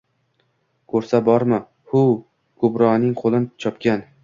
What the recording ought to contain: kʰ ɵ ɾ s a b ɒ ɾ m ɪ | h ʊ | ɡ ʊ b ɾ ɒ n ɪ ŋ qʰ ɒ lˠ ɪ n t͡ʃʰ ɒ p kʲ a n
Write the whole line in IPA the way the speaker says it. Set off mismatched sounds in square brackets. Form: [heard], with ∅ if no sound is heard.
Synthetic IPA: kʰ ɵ ɾ s a b ɒ ɾ m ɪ | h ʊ | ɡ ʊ b ɾ ɒ n ɪ ŋ qʰ [o] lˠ ɪ n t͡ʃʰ ɒ p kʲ a n